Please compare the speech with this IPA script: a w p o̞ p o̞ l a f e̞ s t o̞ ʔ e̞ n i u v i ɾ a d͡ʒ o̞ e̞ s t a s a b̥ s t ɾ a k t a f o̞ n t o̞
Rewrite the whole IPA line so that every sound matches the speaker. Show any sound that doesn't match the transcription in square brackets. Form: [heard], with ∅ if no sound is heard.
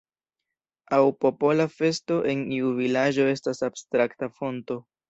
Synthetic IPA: a w p o̞ p o̞ l a f e̞ s t o̞ ʔ e̞ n i u v i [l] a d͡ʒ o̞ e̞ s t a s a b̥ s t ɾ a k t a f o̞ n t o̞